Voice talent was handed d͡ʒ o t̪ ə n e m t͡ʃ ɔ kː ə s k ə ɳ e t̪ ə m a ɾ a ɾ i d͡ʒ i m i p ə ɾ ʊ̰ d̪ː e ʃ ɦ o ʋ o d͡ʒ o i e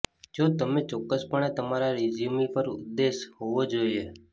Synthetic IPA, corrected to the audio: d͡ʒ o t̪ ə m e t͡ʃ ɔ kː ə s p ə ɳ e t̪ ə m a ɾ a ɾ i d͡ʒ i m i p ə ɾ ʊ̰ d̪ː e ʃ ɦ o ʋ o d͡ʒ o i e

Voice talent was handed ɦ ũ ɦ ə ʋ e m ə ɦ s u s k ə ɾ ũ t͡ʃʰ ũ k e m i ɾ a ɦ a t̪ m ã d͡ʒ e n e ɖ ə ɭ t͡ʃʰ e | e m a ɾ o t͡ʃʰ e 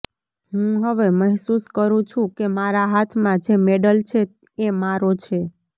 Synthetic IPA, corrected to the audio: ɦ ũ ɦ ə ʋ e m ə ɦ s u s k ə ɾ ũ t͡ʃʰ ũ k e m a ɾ a ɦ a t̪ʰ m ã d͡ʒ e m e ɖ ə l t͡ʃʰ e | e m a ɾ o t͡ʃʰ e

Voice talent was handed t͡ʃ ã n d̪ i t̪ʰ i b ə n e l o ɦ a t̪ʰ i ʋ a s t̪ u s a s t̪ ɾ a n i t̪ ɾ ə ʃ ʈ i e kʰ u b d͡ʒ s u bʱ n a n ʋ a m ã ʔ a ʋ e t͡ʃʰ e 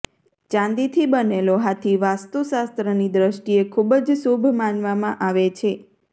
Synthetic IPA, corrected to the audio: t͡ʃ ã n d̪ i t̪ʰ i b ə n e l o ɦ a t̪ʰ i ʋ a s t̪ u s a s t̪ ɾ ə n i d̪ ɾ ə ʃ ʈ i e kʰ u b d͡ʒ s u bʱ m a n ʋ a m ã ʔ a ʋ e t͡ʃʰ e

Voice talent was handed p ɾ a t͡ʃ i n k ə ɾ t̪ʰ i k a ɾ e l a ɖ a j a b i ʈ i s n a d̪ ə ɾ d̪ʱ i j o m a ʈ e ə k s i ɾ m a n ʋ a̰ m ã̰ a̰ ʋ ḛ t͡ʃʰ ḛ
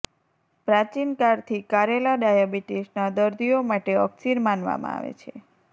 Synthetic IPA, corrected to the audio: p ɾ a t͡ʃ i n k a ɾ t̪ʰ i k a ɾ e l a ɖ a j a b i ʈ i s n a d̪ ə ɾ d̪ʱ i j o m a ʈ e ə k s i ɾ m a n ʋ a̰ m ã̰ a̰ ʋ ḛ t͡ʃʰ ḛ

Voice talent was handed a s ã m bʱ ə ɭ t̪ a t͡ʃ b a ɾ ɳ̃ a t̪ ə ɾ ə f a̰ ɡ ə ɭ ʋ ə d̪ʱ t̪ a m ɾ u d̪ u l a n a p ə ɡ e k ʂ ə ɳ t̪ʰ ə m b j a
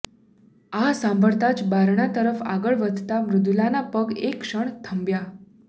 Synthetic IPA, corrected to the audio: a s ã m bʱ ə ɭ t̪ a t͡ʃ b a ɾ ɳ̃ a t̪ ə ɾ ə f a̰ ɡ ə ɭ ʋ ə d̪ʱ t̪ a m ɾ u d̪ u l a n a p ə ɡ e k ʂ ə ɳ t̪ʰ ə m b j a

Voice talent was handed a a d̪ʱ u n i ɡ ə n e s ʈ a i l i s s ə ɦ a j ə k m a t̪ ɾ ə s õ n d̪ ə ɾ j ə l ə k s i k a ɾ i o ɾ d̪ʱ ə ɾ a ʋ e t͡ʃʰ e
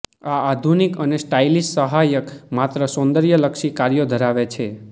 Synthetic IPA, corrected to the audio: a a d̪ʱ u n i k ə n e s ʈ a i l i s s ə ɦ a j ə k m a t̪ ɾ ə s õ n d̪ ə ɾ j ə l ə k ʃ i k a ɾ j o d̪ʱ ə ɾ a ʋ e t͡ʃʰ e

